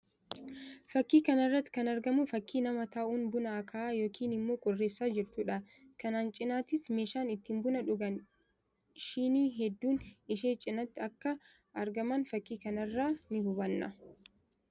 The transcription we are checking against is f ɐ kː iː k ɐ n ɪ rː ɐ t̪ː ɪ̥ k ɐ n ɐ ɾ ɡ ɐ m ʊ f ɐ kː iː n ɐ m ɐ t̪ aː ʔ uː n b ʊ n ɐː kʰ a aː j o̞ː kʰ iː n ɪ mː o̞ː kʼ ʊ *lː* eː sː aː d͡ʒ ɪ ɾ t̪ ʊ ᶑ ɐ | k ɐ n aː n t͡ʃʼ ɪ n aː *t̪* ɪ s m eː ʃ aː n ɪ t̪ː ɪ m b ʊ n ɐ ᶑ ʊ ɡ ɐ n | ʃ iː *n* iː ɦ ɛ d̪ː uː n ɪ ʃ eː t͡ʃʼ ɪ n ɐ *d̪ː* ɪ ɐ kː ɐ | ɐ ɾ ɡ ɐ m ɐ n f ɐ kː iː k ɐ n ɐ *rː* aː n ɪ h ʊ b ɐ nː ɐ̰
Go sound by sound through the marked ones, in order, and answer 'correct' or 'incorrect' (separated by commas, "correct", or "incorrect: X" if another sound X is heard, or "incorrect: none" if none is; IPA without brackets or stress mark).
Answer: incorrect: rː, correct, correct, incorrect: t̪ː, correct